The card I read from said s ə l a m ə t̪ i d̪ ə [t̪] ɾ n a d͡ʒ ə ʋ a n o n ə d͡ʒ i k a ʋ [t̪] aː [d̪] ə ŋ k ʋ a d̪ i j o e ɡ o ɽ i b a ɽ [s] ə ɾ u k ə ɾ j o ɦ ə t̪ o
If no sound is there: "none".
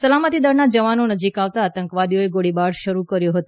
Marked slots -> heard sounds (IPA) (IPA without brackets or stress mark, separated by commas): none, t̪, t̪, ʃ